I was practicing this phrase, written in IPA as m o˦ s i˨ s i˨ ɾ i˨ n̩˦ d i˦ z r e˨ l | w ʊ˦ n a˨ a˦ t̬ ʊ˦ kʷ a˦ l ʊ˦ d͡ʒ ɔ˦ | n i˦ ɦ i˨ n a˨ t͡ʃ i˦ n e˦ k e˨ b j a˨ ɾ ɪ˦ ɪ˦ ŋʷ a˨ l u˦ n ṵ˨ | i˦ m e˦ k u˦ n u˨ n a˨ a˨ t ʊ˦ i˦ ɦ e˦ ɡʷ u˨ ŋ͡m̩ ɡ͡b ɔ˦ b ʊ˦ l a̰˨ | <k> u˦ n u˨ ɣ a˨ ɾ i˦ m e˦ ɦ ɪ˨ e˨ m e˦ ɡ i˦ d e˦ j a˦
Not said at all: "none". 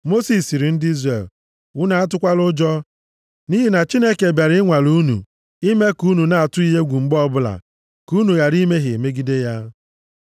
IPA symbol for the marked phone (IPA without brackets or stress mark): k